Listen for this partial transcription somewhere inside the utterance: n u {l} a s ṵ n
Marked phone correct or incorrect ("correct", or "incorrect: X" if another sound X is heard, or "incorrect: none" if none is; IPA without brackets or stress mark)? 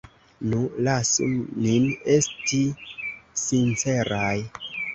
correct